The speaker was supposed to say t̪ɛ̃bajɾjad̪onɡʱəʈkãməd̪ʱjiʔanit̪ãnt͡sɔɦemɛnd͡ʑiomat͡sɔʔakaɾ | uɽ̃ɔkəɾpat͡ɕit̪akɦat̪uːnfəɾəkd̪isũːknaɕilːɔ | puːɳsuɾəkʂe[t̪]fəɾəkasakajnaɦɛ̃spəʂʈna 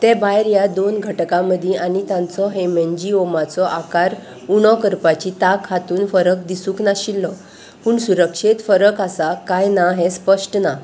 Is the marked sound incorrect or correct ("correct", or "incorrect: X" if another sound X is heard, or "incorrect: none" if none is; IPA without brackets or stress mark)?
correct